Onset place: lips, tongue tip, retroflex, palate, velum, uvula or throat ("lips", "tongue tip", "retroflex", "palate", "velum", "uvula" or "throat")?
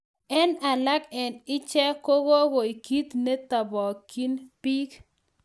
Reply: tongue tip